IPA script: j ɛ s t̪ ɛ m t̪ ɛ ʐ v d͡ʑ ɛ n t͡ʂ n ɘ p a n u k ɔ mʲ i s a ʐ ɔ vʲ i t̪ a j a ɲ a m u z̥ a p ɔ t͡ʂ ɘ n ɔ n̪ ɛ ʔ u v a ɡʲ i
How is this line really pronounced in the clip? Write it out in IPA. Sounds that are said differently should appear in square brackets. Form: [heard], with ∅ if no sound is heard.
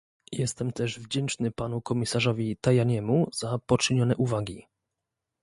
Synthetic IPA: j ɛ s t̪ ɛ m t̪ ɛ ʐ v d͡ʑ ɛ n t͡ʂ n ɘ p a n u k ɔ mʲ i s a ʐ ɔ vʲ i t̪ a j a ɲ [ɛ] m u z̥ a p ɔ t͡ʂ ɘ [ɲ] ɔ n̪ ɛ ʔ u v a ɡʲ i

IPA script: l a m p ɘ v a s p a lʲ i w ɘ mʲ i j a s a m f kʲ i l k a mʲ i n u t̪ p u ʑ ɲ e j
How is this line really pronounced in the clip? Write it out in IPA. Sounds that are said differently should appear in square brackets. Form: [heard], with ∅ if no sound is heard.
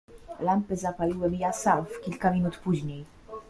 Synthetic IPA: l a m p ɘ [z] a [∅] p a lʲ i w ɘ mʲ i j a s a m f kʲ i l k a mʲ i n u t̪ p u ʑ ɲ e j

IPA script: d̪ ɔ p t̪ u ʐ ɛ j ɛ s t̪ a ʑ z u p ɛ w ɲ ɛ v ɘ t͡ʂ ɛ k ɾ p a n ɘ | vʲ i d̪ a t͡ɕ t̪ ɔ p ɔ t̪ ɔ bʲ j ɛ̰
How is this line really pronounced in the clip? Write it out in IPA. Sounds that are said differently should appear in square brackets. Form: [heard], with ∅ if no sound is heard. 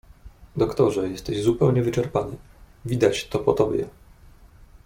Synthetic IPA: d̪ ɔ [k] t̪ [ɔ] ʐ ɛ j ɛ s t̪ [ɛ] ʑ z u p ɛ w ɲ ɛ v ɘ t͡ʂ ɛ [∅] ɾ p a n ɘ | vʲ i d̪ a t͡ɕ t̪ ɔ p ɔ t̪ ɔ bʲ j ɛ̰

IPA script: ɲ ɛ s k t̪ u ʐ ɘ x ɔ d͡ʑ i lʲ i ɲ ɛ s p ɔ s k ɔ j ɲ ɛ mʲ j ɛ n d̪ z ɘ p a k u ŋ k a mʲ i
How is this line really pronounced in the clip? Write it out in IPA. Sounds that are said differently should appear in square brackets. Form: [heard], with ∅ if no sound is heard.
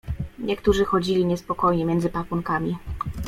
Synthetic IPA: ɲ ɛ [∅] k t̪ u ʐ ɘ x ɔ d͡ʑ i lʲ i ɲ ɛ s p ɔ [∅] k ɔ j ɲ ɛ mʲ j ɛ n d̪ z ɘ p a k u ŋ k a mʲ i

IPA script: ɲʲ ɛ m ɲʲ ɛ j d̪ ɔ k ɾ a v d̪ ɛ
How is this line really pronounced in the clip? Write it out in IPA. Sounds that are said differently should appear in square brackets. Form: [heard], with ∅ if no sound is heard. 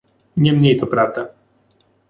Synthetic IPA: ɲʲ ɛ m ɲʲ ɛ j [t̪] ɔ [p] ɾ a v d̪ [a]

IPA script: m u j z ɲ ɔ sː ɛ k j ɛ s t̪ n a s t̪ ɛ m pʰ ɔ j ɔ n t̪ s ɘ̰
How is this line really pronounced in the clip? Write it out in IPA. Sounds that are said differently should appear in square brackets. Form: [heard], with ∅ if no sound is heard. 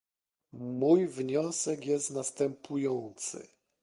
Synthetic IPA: m u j [v] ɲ ɔ [s] ɛ k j ɛ s t̪ n a s t̪ ɛ m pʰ [u] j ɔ n t̪ s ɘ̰

